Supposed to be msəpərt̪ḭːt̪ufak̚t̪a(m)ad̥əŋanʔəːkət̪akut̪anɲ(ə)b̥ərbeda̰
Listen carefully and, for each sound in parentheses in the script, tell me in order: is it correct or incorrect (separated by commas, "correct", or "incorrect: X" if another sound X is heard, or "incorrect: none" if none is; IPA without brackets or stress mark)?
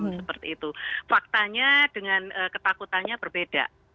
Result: incorrect: ɲ, incorrect: a